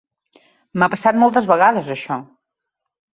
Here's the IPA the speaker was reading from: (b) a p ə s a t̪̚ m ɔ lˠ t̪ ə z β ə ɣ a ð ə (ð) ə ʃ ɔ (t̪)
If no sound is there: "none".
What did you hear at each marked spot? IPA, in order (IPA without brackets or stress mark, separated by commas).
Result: m, z, none